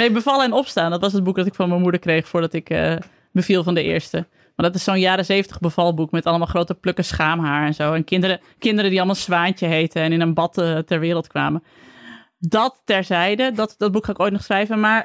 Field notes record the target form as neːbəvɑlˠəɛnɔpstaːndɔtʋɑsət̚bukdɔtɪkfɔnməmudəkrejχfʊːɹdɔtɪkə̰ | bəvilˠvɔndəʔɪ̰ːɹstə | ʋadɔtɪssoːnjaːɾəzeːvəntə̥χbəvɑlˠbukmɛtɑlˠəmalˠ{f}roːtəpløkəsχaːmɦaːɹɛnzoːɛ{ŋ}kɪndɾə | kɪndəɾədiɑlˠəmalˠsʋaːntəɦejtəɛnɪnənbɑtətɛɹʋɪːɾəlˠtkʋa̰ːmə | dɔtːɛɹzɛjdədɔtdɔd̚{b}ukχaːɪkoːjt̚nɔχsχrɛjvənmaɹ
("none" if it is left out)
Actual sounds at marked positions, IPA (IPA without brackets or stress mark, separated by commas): χ, n, b